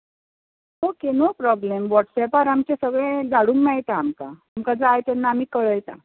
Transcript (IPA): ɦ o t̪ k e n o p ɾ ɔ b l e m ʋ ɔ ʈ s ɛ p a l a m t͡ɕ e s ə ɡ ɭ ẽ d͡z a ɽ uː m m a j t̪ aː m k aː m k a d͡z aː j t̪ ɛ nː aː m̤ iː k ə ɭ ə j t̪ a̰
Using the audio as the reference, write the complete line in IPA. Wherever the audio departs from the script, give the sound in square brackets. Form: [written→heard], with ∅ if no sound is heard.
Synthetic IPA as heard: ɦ o [t̪→∅] k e n o p ɾ ɔ b l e m ʋ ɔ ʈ s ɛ p a [l→ɾ] a m t͡ɕ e s ə ɡ ɭ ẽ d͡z a ɽ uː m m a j t̪ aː m k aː m k a d͡z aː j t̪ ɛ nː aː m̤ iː k ə ɭ ə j t̪ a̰